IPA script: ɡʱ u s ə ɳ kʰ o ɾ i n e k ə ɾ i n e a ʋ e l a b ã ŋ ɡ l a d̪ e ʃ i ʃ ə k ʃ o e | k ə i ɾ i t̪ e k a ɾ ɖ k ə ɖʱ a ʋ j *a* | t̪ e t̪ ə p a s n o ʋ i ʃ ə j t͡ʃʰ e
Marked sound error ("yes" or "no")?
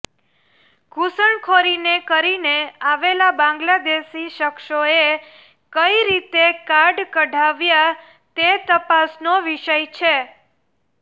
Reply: no